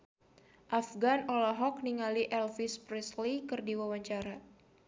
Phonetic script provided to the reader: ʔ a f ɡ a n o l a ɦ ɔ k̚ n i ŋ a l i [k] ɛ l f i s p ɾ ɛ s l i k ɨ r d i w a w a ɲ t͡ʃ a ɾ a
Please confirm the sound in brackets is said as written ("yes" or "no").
no